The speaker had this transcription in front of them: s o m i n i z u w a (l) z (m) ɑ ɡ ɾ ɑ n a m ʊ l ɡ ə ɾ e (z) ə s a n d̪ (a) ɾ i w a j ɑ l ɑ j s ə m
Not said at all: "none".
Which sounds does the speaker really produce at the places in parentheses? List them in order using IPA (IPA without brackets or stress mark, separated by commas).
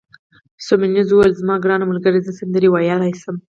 l, m, z, ə